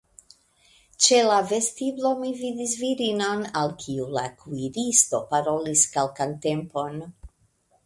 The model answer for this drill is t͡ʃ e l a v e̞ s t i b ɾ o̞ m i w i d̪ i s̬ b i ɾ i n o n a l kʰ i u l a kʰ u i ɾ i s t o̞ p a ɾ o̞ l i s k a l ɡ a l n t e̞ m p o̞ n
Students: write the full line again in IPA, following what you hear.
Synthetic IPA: t͡ʃ e l a v e̞ s t i b l o̞ m i v i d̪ i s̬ v i ɾ i n o n a l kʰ i u l a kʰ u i ɾ i s t o̞ p a ɾ o̞ l i s k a l k a n t e̞ m p o̞ n